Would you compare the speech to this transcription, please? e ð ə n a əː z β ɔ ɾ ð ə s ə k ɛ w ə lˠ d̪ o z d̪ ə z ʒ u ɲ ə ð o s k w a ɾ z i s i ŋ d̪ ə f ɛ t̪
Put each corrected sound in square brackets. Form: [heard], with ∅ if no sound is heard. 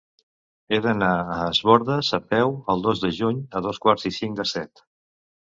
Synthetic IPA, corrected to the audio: e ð ə n a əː z β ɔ ɾ ð ə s ə [p] ɛ w ə lˠ d̪ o z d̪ ə [∅] ʒ u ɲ ə ð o s k w a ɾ z i s i ŋ d̪ ə [s] ɛ t̪